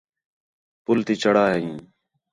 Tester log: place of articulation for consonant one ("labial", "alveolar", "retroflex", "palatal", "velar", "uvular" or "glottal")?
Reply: labial